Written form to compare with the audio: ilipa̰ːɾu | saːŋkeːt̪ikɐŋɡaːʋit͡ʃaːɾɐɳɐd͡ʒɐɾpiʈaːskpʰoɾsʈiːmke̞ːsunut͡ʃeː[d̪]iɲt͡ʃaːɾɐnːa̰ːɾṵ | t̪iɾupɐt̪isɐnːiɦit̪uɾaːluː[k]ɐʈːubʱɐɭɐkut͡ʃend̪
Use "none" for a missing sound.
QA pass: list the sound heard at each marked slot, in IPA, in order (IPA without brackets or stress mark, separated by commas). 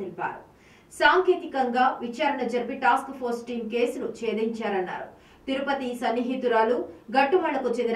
d̪, ɡ